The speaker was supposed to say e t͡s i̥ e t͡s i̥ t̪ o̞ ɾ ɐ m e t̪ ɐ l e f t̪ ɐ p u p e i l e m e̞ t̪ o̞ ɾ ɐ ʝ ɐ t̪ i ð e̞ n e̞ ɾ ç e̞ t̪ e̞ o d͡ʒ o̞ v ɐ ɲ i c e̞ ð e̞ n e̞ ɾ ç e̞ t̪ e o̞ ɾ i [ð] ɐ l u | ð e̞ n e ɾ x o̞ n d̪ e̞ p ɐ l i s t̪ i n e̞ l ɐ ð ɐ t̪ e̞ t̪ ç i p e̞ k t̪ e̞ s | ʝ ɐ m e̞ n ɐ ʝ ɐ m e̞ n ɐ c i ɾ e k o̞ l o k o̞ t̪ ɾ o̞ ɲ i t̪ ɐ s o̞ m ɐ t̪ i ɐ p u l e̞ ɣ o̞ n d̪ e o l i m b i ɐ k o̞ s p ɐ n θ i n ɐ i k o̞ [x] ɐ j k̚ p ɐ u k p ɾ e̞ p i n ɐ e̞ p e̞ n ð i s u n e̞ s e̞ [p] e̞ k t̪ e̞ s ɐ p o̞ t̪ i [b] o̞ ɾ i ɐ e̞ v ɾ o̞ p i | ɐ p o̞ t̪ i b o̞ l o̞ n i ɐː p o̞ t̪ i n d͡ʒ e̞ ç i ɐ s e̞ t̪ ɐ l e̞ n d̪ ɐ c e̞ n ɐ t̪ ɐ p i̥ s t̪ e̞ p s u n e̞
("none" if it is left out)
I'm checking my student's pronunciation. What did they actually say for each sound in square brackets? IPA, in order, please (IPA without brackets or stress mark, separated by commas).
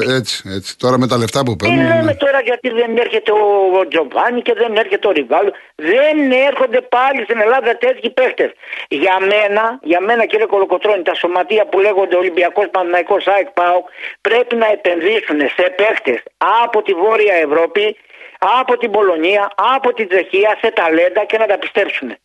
v, s, p, v